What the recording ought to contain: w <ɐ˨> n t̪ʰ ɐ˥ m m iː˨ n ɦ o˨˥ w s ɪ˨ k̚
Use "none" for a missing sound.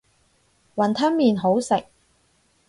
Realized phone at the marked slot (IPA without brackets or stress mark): ɐ˨